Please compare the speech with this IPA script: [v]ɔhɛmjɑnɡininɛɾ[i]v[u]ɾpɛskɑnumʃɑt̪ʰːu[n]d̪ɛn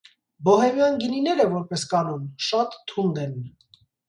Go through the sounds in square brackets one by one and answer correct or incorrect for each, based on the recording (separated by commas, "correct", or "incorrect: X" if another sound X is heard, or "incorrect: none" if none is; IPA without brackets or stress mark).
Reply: incorrect: b, incorrect: ɛ, incorrect: ɔ, correct